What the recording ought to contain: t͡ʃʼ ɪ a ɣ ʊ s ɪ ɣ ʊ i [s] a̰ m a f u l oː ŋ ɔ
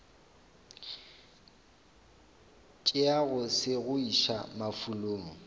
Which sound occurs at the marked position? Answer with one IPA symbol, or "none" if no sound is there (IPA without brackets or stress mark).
ʃ